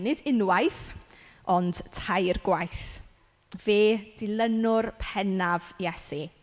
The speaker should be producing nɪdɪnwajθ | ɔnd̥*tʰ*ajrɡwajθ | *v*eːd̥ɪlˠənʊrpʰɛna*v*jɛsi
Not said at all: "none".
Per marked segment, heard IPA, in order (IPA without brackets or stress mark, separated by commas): tʰ, v, v